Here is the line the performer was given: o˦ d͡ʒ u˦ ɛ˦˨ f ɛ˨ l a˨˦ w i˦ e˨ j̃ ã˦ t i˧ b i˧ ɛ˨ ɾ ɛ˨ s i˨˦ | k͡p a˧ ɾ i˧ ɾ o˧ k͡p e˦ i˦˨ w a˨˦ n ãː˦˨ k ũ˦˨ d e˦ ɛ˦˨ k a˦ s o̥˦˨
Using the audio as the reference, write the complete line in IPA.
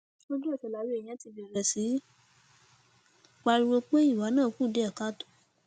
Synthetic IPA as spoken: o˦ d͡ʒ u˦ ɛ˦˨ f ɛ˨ l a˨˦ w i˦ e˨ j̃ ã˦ t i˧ b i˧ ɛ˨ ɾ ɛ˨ s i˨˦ | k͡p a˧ ɾ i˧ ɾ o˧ k͡p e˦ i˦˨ w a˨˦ n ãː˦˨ k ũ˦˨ d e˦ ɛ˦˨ k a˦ t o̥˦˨